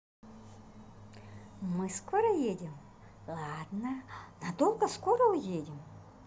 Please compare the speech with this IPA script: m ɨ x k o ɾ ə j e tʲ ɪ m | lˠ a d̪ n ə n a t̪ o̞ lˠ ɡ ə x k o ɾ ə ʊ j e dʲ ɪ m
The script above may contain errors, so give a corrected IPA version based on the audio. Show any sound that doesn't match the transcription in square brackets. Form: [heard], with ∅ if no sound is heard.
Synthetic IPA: m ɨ [s] k o ɾ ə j e [dʲ] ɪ m | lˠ a d̪ n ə n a [d̪] o̞ lˠ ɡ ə [s] k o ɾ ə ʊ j e dʲ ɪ m